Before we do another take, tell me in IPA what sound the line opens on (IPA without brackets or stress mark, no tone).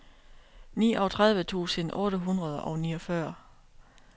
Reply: n